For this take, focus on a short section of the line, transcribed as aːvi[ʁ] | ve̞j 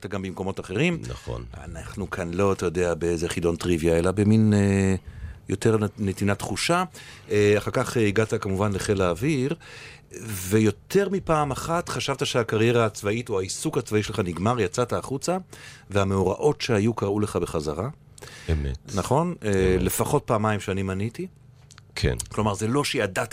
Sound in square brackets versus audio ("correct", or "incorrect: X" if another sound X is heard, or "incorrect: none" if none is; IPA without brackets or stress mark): correct